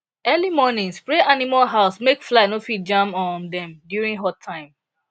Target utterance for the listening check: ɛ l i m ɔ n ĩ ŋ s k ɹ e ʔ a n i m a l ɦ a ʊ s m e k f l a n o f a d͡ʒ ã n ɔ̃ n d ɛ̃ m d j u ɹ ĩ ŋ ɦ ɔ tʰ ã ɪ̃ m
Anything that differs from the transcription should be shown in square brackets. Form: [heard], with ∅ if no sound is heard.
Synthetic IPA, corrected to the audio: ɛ l i m ɔ n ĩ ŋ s [p] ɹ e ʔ a n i m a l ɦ a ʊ s m e k f l a n o f [i] d͡ʒ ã [m] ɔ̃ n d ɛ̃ m d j u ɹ ĩ ŋ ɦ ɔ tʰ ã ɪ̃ m